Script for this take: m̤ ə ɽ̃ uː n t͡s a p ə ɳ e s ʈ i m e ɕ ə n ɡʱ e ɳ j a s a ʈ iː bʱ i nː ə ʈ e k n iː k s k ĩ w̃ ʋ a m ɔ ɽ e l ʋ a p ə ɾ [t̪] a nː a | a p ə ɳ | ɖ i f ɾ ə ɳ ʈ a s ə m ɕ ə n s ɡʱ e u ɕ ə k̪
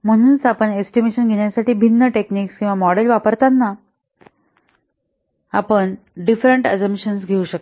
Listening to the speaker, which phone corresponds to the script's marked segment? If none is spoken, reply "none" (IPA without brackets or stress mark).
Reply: t̪